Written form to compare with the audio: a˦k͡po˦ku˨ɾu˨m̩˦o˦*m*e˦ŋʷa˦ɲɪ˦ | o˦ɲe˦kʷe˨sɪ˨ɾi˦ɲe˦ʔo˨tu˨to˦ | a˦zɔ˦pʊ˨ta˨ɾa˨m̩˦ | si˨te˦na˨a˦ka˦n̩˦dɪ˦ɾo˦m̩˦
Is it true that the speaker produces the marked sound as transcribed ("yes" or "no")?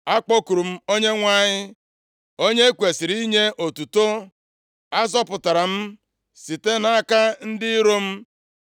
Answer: no